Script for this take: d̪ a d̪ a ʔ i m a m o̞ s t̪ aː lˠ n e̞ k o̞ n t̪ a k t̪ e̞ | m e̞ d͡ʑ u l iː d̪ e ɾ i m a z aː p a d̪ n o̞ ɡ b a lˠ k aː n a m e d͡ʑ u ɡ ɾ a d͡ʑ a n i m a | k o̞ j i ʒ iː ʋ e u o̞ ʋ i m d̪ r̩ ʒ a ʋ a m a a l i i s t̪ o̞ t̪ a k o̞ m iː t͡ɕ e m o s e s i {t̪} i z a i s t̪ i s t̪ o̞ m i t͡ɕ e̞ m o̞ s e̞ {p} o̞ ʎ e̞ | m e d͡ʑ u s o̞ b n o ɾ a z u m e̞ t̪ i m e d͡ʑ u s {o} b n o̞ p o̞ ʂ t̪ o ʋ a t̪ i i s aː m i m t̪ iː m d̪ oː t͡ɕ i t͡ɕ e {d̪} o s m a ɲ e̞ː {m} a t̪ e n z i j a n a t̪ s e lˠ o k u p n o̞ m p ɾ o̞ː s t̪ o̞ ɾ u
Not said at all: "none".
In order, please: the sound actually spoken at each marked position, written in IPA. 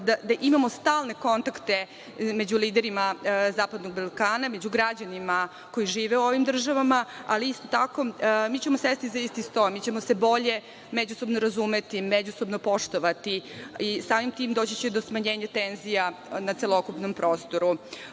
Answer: t̪, b, o, d̪, ɲ

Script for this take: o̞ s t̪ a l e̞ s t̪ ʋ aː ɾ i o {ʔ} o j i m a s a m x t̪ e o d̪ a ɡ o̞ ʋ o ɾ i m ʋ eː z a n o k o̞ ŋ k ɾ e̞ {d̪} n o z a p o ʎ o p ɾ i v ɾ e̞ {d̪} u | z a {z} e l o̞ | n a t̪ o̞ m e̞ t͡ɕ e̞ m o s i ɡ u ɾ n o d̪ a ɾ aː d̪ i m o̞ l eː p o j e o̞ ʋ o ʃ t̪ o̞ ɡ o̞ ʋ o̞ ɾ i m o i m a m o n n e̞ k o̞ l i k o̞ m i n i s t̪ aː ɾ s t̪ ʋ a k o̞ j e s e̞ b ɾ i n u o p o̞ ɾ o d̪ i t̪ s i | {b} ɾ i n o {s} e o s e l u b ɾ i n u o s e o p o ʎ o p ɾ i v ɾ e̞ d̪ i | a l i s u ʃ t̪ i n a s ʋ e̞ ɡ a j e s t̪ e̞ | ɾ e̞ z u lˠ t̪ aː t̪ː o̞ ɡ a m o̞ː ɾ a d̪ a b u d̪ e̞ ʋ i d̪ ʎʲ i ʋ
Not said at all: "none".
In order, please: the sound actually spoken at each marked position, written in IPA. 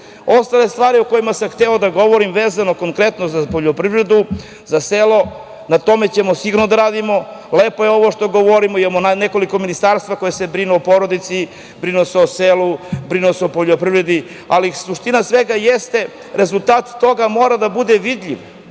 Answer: k, t̪, d̪, s, b, s

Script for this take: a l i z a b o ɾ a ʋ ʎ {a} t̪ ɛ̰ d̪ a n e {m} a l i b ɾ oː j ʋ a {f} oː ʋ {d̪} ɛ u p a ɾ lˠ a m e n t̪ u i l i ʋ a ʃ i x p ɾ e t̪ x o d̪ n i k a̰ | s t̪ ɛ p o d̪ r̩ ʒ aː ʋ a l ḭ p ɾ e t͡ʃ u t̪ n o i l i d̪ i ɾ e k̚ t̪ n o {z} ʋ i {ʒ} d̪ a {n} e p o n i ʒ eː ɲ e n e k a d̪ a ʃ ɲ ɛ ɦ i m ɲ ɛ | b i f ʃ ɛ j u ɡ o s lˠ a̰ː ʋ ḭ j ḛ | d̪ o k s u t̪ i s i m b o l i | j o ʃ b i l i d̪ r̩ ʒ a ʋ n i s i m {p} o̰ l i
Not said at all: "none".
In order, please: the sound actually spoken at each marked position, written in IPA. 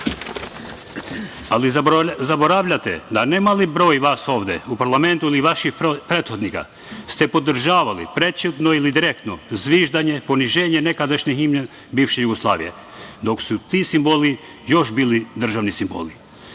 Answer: a, m, s, d̪, z, ʒ, ɲ, b

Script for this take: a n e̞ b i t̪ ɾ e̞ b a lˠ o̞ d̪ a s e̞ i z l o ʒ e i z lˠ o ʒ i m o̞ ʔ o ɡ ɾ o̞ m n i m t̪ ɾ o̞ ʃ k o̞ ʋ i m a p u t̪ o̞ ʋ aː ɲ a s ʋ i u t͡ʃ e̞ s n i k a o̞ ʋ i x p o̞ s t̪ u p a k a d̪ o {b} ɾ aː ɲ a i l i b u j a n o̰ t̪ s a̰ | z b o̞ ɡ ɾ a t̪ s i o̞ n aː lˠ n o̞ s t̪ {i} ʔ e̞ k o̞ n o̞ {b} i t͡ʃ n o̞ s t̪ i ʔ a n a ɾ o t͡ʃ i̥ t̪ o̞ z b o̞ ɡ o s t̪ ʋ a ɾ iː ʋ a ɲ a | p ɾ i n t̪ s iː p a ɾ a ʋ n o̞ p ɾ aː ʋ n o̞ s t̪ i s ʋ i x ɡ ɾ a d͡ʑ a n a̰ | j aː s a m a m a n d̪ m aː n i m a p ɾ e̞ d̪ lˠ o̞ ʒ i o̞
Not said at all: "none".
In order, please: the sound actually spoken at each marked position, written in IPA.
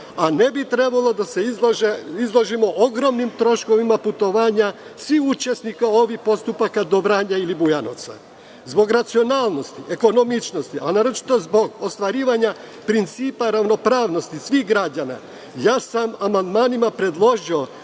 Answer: b, i, m

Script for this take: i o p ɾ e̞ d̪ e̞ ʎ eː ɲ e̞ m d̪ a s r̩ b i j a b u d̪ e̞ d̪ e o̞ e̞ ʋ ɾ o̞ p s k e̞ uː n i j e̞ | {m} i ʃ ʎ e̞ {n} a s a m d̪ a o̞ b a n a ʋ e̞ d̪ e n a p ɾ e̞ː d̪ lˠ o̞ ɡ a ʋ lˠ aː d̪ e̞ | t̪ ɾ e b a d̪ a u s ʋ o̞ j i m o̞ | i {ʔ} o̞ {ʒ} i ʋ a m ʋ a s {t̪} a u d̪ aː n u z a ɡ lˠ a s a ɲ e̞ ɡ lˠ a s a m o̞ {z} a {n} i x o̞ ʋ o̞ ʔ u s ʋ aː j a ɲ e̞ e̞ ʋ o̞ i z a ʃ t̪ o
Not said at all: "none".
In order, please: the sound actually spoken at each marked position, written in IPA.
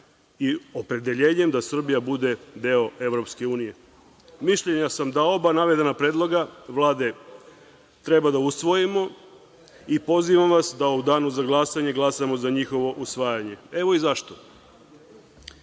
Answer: m, ɲ, p, z, d̪, z, ɲ

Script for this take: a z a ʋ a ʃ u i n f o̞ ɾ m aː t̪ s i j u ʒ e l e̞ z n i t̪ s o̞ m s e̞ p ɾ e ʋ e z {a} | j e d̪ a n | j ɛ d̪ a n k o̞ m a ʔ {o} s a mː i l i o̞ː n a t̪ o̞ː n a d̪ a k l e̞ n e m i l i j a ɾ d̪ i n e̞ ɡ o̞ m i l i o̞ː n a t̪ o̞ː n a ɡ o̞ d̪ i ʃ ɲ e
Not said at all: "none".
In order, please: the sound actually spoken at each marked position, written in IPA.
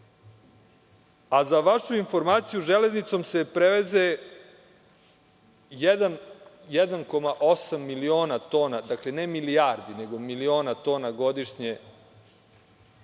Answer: e, o

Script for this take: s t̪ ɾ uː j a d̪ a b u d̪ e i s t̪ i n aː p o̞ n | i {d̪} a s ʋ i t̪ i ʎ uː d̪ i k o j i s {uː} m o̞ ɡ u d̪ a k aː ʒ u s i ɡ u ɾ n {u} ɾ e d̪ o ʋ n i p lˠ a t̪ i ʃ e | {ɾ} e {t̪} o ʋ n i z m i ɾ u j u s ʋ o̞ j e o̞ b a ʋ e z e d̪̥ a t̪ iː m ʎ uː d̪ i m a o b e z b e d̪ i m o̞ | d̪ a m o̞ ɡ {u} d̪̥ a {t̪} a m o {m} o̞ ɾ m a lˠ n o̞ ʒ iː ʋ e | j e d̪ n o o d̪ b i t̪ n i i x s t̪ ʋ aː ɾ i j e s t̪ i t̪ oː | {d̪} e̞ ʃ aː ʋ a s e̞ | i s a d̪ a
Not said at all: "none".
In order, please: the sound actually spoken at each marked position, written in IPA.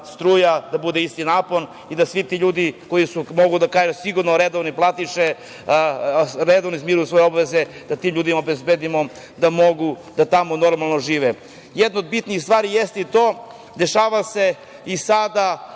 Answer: d̪, u, o, ɾ, d̪, u, t̪, n, d̪

